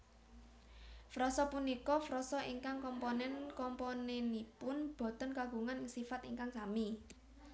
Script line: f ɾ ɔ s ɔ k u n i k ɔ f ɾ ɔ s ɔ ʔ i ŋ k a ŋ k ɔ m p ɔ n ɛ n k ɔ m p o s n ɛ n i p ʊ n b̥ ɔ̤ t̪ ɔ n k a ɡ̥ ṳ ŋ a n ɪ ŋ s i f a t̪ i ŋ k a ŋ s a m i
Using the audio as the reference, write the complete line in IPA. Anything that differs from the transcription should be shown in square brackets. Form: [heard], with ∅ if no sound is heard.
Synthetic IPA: f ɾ ɔ s ɔ [p] u n i k ɔ f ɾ ɔ s ɔ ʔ i ŋ k a ŋ k ɔ m p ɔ n ɛ n k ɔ m p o [∅] n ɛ n i p ʊ n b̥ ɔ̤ t̪ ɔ n k a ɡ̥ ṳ ŋ a n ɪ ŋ s i f a t̪ i ŋ k a ŋ s a m i